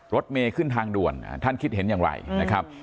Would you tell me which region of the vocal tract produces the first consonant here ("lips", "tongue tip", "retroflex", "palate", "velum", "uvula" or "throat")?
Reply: tongue tip